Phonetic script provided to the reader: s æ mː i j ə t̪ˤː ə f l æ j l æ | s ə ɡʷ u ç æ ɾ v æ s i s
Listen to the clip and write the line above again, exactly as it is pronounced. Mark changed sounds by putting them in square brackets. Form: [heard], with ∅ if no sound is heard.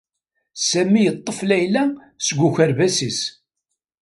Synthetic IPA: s æ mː i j ə t̪ˤː ə f l æ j l æ | s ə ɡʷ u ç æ ɾ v æ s i s